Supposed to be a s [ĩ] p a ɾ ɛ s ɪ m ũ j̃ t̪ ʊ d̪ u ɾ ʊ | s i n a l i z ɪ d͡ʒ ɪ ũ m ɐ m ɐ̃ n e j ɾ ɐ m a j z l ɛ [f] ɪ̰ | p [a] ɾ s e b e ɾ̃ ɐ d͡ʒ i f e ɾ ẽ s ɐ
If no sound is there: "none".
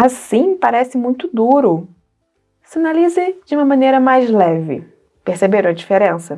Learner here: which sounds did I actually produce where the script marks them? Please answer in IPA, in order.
ĩ, v, e

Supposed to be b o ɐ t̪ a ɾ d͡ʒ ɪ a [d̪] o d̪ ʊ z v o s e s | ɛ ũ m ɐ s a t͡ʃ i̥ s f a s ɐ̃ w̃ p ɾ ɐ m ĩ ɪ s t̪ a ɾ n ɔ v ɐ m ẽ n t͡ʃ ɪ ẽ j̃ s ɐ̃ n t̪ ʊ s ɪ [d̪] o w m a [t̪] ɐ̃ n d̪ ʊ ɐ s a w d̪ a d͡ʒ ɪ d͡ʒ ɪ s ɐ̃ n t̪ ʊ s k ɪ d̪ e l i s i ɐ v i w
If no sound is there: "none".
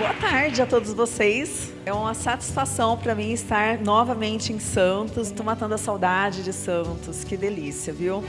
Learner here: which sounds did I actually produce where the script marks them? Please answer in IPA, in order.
t̪, t̪, t̪

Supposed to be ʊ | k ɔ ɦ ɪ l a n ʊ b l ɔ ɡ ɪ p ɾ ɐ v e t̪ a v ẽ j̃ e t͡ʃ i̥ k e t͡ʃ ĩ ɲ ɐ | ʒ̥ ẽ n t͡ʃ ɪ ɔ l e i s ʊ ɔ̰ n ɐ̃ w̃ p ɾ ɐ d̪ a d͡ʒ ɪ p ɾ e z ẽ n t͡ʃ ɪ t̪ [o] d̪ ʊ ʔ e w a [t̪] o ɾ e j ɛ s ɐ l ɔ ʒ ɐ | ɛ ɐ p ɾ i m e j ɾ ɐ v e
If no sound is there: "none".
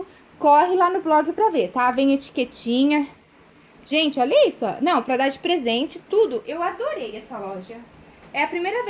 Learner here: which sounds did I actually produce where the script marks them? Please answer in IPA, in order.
u, d̪

